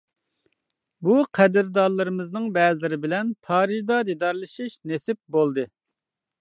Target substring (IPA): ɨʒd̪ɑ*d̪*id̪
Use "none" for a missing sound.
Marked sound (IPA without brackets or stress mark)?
d̪